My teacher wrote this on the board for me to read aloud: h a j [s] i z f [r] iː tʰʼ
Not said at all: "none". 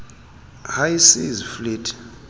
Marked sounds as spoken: s, l

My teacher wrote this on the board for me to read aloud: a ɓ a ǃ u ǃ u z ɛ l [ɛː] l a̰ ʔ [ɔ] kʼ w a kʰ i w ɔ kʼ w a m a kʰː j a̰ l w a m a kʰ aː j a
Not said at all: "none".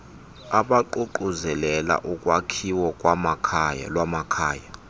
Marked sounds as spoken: ɛ, u

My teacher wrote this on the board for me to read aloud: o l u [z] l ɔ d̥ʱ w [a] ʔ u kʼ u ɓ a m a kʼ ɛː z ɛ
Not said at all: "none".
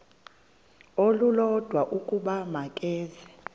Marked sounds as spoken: none, a

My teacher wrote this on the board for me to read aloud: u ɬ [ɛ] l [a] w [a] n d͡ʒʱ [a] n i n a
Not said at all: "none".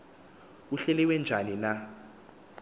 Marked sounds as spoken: ɛ, ɛ, ɛ, a

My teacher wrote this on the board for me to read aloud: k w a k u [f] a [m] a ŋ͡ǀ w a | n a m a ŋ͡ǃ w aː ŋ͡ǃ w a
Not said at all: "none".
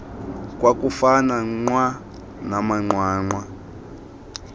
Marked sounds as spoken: f, n

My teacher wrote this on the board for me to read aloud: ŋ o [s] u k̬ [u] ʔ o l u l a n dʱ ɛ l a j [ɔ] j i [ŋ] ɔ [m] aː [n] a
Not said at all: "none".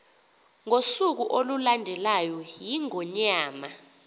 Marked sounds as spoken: s, u, ɔ, ŋ, ɲ, m

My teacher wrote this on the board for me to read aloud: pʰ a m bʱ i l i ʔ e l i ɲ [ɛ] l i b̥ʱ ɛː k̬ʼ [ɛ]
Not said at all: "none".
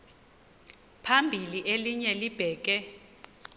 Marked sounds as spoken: ɛ, ɛ

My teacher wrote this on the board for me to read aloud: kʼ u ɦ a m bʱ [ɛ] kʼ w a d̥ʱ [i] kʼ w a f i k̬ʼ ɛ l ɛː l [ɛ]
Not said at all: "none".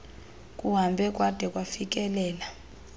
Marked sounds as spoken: ɛ, ɛ, a

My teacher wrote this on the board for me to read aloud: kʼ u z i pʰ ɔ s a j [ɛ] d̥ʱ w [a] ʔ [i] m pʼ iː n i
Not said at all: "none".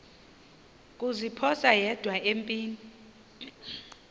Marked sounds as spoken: ɛ, a, e

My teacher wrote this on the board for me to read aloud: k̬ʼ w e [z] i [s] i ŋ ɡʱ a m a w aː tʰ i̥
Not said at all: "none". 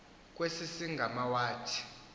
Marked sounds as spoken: s, s

